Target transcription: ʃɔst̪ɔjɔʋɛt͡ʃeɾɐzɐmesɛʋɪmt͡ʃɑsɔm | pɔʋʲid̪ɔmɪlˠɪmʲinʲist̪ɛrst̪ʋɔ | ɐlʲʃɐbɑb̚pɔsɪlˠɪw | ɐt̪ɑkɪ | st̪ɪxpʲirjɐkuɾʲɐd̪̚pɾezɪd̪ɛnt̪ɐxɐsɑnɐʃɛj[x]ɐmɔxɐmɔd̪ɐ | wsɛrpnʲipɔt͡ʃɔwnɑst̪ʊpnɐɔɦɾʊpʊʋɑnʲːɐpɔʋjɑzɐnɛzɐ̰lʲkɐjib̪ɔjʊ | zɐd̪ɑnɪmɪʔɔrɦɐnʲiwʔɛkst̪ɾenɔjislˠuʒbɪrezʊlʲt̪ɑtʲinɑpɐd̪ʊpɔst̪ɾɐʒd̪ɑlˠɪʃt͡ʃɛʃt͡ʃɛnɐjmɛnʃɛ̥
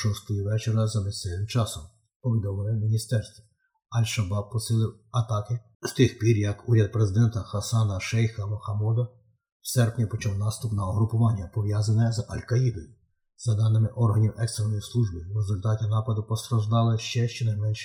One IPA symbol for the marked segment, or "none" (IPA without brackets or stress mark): x